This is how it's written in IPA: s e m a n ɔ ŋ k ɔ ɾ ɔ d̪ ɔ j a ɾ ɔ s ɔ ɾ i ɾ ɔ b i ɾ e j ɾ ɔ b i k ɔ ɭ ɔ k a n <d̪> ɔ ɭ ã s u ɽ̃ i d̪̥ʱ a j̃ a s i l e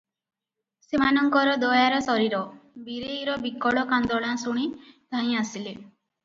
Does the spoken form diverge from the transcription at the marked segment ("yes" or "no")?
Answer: no